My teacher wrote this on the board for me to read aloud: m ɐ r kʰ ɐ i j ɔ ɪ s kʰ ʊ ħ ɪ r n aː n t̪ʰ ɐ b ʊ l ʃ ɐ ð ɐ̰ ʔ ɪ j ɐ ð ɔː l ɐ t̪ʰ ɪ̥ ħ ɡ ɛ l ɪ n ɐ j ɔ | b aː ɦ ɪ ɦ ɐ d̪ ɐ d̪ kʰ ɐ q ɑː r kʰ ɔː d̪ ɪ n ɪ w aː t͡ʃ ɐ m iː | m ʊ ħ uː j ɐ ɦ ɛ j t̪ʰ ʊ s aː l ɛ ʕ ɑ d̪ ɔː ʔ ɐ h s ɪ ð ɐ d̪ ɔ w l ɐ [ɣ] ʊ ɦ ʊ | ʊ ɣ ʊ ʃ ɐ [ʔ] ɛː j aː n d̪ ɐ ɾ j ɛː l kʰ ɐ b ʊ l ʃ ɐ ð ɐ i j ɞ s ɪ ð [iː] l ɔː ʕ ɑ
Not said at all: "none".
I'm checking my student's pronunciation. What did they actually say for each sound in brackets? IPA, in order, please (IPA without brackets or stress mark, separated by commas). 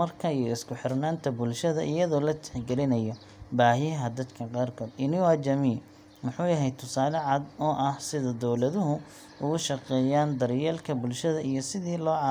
ð, q, iː